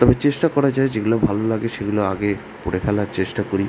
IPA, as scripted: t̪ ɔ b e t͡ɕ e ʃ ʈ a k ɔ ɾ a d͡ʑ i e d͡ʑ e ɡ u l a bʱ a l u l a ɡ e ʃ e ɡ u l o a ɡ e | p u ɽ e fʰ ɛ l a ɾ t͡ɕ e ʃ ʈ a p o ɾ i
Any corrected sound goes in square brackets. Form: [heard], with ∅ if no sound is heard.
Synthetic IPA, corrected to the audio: t̪ ɔ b e t͡ɕ e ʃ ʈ a k ɔ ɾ a d͡ʑ [a] e d͡ʑ e ɡ u l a bʱ a l [o] l a ɡ e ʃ e ɡ u l o a ɡ e | p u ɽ e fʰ ɛ l a ɾ t͡ɕ e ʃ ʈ a [k] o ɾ i

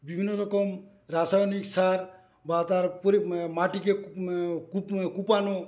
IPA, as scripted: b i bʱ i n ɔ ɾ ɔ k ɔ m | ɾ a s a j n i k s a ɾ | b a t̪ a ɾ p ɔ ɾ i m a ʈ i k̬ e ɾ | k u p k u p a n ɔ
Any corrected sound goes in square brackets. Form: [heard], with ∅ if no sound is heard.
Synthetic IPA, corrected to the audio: b i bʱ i n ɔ ɾ ɔ k ɔ m | ɾ a s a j n i k s a ɾ | b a t̪ a ɾ p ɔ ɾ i m a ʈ i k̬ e [∅] | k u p k u p a n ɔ

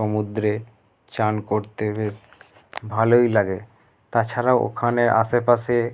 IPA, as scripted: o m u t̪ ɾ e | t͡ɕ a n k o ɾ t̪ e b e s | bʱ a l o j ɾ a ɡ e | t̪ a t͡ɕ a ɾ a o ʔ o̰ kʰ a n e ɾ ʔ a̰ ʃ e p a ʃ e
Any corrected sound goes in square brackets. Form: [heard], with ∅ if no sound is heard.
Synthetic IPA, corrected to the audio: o m u [d̪] ɾ e | t͡ɕ a n k o ɾ t̪ e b e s | bʱ a l o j [l] a ɡ e | t̪ a [t͡ɕʰ] a ɾ a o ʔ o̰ kʰ a n e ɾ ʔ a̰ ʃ e p a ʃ e

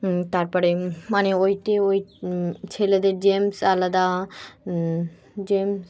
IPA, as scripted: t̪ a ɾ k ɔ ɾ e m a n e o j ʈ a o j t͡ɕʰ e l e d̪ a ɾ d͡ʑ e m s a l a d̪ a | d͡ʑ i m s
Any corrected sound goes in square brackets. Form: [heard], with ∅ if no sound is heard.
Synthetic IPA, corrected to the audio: t̪ a ɾ [p] ɔ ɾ e m a n e o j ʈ [e] o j t͡ɕʰ e l e d̪ [e] ɾ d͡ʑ e m s a l a d̪ a | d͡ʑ [e] m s

